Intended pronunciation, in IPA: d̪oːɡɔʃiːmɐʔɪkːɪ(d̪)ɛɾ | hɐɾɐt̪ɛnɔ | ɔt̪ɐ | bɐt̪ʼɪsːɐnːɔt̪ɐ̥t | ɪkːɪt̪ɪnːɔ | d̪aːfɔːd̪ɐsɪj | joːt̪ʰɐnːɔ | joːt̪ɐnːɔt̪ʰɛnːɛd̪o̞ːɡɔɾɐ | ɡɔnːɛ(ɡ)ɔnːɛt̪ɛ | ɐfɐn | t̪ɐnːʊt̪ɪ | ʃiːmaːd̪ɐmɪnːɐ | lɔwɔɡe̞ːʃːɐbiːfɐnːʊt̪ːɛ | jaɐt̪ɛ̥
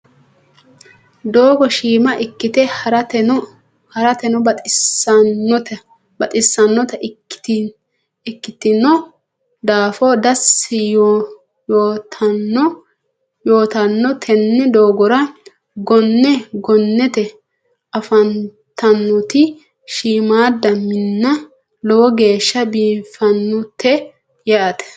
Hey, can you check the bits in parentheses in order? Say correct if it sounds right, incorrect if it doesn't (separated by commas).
incorrect, correct